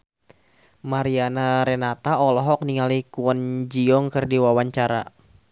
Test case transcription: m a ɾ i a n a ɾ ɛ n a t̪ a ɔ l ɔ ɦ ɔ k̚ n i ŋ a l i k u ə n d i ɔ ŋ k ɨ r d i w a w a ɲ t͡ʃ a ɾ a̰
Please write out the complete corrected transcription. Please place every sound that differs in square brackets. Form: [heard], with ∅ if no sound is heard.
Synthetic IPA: m a ɾ i a n a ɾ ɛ n a t̪ a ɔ l ɔ ɦ ɔ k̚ n i ŋ a l i k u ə n [d͡ʒ] i ɔ ŋ k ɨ r d i w a w a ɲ t͡ʃ a ɾ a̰